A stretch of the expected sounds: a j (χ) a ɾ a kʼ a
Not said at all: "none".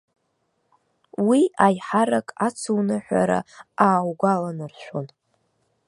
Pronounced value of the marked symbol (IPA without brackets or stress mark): ħ